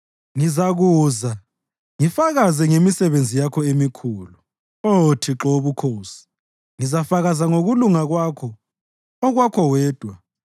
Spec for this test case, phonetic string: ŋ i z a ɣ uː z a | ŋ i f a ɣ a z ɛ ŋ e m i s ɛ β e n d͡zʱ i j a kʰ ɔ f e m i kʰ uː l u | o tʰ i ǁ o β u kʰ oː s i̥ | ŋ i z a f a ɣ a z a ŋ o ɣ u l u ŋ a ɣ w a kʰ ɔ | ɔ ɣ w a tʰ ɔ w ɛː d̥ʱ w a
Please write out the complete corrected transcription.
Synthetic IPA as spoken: ŋ i z a ɣ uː z a | ŋ i f a ɣ a z ɛ ŋ e m i s ɛ β e n d͡zʱ i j a kʰ ɔ e m i kʰ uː l u | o tʰ i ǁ o β u kʰ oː s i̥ | ŋ i z a f a ɣ a z a ŋ o ɣ u l u ŋ a ɣ w a kʰ ɔ | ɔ ɣ w a kʰ ɔ w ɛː d̥ʱ w a